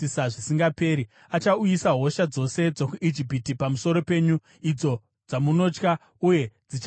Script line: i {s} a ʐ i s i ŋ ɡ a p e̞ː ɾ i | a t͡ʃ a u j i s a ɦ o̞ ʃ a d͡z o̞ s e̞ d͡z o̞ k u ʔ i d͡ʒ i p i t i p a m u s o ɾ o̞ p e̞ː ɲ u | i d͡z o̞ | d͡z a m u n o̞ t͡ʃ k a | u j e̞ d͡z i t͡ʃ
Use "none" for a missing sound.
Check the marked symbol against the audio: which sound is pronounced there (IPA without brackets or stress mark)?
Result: s